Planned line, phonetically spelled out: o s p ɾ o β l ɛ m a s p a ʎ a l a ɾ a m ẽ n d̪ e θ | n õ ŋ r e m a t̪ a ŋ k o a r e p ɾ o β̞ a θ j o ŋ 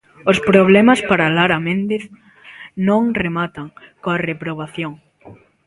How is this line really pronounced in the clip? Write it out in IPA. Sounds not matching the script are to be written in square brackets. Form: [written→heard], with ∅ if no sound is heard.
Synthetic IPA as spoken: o s p ɾ o β l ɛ m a s p a [ʎ→ɾ] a l a ɾ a m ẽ n d̪ e θ | n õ ŋ r e m a t̪ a ŋ k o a r e p ɾ o β̞ a θ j o ŋ